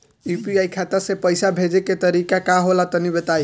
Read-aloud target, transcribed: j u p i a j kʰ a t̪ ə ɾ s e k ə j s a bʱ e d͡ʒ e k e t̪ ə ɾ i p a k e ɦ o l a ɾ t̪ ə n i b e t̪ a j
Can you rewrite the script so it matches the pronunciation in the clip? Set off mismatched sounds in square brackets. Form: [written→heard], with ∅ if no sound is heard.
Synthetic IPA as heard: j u p i a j kʰ a t̪ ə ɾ s e [k→p] ə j s a bʱ e d͡ʒ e k e t̪ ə ɾ i [p→k] a k [e→a] ɦ o l a [ɾ→∅] t̪ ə n i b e t̪ a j